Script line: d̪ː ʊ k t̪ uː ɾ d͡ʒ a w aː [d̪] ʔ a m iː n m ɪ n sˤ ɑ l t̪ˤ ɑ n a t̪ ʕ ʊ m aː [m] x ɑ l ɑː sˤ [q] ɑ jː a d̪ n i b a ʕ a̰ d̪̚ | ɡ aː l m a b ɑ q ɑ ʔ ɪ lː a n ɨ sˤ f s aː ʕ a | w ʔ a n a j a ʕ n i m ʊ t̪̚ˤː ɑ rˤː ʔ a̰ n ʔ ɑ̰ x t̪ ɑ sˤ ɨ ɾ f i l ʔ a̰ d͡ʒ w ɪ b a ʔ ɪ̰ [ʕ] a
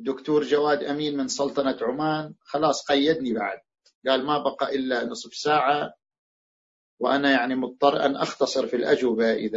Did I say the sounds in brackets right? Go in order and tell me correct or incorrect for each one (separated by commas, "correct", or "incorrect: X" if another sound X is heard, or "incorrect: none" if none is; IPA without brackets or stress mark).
correct, incorrect: n, correct, incorrect: ð